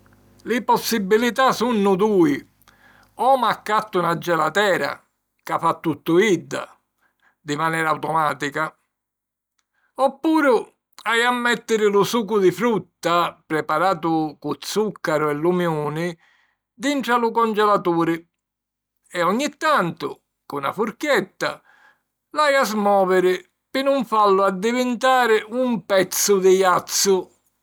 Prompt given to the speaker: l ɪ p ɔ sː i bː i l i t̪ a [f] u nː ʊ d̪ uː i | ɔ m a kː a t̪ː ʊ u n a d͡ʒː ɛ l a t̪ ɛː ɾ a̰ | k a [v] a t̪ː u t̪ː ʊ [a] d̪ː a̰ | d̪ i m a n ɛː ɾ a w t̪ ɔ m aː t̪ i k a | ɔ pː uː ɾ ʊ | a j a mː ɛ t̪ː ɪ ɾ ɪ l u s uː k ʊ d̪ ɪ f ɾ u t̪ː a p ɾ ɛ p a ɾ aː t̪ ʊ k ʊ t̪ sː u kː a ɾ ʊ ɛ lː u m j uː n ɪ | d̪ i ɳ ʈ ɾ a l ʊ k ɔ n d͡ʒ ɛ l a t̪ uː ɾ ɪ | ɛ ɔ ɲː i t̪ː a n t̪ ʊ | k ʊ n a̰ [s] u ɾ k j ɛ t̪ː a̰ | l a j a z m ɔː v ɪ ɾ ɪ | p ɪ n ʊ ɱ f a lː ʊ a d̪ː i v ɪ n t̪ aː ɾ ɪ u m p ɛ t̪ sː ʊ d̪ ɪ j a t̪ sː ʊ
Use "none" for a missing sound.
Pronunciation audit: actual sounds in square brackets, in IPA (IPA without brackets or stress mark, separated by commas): s, f, i, f